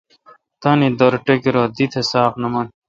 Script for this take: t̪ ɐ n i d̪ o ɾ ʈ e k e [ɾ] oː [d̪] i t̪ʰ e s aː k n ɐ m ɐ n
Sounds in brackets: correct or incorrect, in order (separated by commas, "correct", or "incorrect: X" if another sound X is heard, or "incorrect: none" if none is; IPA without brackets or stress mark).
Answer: correct, correct